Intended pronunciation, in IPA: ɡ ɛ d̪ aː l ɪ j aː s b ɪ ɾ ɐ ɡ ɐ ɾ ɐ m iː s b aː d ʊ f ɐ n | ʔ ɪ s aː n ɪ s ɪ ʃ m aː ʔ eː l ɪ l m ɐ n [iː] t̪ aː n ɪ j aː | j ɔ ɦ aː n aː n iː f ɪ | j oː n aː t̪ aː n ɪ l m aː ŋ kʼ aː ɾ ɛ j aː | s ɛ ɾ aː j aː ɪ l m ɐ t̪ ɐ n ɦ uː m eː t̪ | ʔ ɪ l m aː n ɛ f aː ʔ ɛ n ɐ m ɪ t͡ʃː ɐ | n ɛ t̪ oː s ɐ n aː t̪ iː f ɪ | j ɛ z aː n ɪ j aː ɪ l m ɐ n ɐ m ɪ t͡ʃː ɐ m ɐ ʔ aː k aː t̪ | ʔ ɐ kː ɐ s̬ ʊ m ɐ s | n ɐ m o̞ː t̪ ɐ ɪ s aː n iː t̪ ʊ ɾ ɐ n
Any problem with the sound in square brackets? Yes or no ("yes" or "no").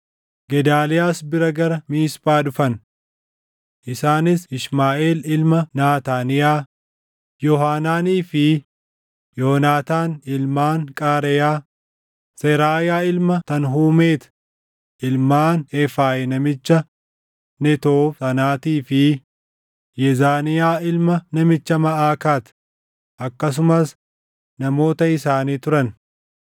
yes